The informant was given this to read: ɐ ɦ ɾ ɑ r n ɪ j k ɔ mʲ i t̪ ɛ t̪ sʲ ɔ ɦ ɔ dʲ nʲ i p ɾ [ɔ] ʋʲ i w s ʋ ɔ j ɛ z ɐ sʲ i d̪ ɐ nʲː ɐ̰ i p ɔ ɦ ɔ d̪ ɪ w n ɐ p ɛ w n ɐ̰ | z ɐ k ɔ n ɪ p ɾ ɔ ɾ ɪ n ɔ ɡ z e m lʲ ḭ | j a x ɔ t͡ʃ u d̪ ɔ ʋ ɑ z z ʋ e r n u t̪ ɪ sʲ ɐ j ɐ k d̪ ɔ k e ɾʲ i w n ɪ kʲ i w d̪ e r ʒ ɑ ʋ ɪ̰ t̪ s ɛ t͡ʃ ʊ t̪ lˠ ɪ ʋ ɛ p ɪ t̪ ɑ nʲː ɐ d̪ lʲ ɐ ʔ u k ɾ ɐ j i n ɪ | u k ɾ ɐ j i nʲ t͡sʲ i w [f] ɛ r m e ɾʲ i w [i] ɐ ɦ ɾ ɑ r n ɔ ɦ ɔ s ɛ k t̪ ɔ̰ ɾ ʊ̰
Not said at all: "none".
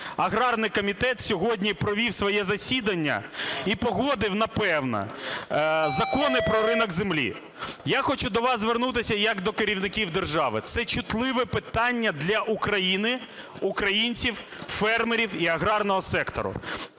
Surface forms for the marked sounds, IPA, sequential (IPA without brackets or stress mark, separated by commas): ɔ, f, i